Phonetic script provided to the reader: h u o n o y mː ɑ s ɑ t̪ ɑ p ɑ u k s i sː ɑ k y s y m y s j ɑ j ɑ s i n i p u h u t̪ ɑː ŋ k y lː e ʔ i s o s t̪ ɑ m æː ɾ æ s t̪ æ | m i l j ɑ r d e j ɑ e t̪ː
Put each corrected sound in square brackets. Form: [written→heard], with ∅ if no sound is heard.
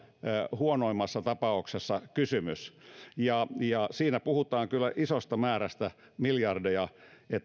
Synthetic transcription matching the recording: h u o n o [y→i] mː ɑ [s→sː] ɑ t̪ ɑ p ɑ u k s [i→e] sː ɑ k y s y m y s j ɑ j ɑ s [i→iː] n [i→æ] p u h u t̪ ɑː ŋ k y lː [e→æ] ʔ i s o s t̪ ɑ m æː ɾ æ s t̪ æ | m i l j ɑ r d e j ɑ e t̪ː